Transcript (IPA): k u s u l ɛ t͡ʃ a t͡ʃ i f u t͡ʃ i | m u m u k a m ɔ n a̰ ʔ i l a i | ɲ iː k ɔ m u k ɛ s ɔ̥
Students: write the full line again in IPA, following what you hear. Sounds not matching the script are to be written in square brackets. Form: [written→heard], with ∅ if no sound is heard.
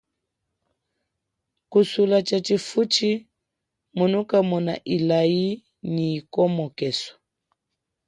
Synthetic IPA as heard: k u s u l [ɛ→a] t͡ʃ a t͡ʃ i f u t͡ʃ i | m u [m→n] u k a m ɔ n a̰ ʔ i l a i | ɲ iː k ɔ m [u→ɔ] k ɛ s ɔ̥